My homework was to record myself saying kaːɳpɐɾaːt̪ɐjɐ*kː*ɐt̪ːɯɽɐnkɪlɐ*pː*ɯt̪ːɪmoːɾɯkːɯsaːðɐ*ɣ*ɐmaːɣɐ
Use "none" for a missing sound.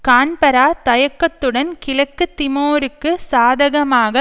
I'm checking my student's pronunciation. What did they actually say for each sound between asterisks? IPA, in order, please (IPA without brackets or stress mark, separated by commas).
kː, kː, ɣ